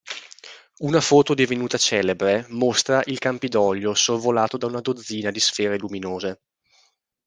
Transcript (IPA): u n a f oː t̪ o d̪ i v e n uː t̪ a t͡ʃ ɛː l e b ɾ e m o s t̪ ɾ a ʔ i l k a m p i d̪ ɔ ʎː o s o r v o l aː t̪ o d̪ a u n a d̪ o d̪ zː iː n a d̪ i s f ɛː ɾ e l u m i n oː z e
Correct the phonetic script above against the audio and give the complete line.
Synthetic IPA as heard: u n a f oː t̪ o d̪ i v e n uː t̪ a t͡ʃ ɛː l e b ɾ e m o s t̪ ɾ a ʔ i l k a m p i d̪ ɔ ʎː o s o r v o l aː t̪ o d̪ a u n a d̪ o d̪ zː iː n a d̪ i s f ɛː ɾ e l u m i n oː z e